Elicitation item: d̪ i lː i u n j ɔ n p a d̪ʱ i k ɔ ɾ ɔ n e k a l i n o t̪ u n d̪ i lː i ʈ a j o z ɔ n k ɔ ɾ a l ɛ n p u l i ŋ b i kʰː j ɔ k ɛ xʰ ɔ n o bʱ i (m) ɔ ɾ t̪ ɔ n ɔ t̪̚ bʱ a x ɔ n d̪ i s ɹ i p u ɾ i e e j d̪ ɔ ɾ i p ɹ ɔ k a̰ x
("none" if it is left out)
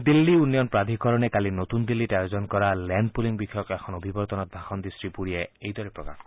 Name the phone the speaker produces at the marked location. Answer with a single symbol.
b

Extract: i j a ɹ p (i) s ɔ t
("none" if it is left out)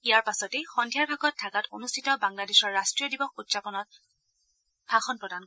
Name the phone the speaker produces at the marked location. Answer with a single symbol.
a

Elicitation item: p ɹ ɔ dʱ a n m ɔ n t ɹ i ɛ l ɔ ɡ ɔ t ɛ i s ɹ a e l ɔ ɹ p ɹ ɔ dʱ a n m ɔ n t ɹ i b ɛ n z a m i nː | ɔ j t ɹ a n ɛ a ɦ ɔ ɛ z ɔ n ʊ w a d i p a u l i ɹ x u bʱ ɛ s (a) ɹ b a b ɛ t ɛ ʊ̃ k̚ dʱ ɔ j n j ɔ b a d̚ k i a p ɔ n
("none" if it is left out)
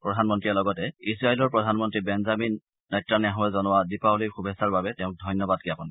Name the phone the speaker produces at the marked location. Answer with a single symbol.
a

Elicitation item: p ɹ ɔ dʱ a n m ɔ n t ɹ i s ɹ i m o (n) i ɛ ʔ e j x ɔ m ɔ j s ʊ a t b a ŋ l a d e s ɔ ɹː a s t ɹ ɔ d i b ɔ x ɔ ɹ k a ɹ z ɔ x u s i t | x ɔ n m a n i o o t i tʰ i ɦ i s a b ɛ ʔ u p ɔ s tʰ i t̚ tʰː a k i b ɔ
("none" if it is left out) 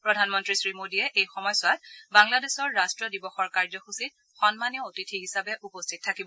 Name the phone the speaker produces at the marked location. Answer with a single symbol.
d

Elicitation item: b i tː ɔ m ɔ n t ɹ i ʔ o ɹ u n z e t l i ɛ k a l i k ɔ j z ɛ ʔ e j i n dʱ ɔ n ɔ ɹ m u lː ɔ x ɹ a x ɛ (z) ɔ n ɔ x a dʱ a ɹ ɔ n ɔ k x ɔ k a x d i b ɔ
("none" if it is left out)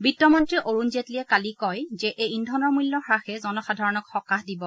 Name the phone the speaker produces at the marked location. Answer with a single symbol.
z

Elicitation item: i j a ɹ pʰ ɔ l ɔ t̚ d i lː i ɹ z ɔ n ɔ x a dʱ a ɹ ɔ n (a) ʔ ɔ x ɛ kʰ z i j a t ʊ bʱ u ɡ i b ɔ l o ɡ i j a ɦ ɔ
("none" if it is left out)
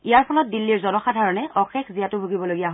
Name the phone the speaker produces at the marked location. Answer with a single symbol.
ɛ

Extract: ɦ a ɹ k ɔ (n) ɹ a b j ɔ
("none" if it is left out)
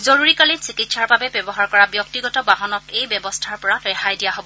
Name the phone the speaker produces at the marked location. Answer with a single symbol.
none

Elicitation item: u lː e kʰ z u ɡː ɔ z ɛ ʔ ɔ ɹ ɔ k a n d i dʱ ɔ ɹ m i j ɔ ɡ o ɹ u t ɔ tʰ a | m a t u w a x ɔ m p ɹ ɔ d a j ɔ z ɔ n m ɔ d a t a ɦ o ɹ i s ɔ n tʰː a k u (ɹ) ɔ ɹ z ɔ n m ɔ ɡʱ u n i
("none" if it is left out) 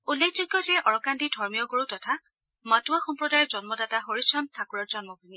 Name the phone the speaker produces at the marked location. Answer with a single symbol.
ɹ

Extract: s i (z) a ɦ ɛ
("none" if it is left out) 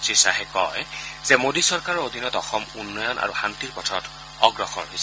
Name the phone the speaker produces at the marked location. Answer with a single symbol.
s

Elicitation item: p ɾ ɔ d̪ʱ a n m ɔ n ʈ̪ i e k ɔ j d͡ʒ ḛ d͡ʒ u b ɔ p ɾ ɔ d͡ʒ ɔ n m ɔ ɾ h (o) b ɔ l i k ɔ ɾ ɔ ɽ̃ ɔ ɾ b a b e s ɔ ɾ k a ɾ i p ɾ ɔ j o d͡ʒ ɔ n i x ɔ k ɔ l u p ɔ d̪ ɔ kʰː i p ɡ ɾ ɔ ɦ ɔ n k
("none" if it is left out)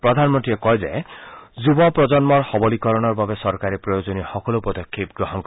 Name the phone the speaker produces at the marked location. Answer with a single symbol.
ɔ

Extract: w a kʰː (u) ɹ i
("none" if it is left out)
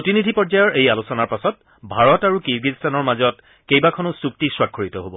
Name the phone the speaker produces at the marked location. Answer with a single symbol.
o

